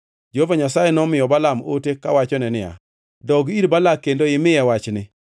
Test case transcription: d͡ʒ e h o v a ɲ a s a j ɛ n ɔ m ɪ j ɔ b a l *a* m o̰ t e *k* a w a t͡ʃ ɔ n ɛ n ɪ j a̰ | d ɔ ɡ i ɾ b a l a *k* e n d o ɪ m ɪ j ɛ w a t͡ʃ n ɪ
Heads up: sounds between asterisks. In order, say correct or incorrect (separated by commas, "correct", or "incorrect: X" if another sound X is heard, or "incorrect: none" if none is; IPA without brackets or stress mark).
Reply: correct, correct, correct